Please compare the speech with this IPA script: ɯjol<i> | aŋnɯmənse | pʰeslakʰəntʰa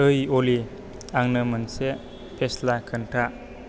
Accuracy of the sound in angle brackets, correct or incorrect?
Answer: correct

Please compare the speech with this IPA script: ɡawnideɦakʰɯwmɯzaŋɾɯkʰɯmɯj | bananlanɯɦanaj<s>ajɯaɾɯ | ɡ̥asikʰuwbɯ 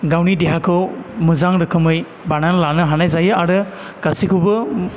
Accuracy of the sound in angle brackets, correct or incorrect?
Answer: incorrect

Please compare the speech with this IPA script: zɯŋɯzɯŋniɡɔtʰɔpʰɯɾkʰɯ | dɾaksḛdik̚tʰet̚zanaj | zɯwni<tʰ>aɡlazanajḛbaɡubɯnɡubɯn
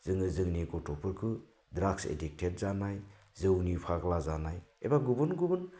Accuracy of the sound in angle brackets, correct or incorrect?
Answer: incorrect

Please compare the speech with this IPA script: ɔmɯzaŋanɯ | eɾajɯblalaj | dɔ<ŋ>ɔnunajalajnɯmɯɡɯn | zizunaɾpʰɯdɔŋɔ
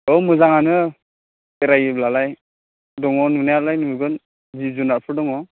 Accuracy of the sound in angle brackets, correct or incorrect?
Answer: correct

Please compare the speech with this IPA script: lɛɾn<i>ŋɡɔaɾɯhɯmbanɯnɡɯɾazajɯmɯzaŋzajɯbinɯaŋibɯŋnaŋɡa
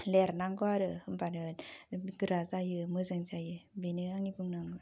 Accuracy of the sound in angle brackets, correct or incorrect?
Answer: incorrect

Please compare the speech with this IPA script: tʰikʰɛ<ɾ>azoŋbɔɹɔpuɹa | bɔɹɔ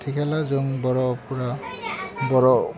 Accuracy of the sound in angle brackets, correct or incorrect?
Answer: incorrect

